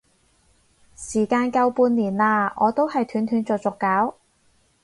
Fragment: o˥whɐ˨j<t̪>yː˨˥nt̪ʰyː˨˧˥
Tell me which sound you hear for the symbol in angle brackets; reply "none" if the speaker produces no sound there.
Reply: t̪ʰ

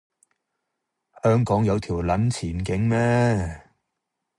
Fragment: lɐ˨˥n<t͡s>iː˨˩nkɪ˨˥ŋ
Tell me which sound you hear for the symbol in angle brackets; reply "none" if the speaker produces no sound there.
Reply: t͡sʰ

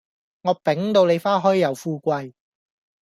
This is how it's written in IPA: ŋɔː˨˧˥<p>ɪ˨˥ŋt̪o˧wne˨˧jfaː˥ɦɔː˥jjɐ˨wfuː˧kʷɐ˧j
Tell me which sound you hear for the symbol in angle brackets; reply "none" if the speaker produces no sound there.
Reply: p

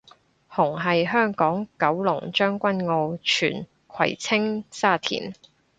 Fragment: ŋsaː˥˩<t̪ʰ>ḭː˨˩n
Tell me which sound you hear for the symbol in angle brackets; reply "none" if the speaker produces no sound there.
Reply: t̪ʰ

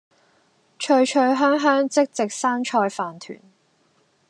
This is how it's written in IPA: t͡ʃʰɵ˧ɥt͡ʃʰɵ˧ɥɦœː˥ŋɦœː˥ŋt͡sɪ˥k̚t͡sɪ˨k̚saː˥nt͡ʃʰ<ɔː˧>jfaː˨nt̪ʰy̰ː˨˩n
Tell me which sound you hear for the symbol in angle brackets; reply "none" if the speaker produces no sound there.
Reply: ɔː˧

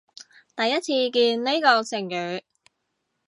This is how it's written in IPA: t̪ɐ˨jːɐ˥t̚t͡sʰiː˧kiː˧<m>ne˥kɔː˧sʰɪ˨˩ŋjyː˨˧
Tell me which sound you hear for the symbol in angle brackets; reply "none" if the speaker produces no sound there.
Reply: n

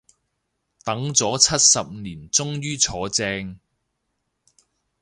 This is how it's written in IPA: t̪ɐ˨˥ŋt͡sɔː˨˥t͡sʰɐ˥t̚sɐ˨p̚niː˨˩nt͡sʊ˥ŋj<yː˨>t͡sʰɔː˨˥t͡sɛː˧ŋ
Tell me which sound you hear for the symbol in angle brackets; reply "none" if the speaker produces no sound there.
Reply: yː˥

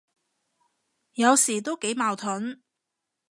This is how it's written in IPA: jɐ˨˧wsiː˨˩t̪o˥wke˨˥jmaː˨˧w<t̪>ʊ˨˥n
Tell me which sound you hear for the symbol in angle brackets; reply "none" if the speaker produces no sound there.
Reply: t̪ʰ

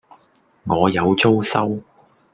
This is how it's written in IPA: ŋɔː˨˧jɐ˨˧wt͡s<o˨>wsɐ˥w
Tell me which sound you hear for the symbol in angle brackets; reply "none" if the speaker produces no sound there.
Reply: o˥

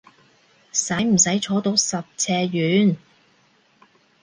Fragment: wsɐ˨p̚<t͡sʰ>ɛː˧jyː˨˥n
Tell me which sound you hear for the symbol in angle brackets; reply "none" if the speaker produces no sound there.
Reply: t͡sʰ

